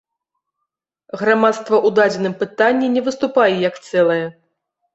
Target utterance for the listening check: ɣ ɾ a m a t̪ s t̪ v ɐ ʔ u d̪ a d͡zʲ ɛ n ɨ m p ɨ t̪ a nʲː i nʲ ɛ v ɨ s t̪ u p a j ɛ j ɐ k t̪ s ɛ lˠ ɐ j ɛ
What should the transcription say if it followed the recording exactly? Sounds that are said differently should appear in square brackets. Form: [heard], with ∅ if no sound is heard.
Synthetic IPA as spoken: ɣ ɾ a m a t̪ s t̪ v ɐ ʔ u d̪ a d͡zʲ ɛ n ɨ m p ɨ t̪ a nʲː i nʲ ɛ v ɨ s t̪ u p a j ɛ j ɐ k t̪ s ɛ lˠ ɐ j ɛ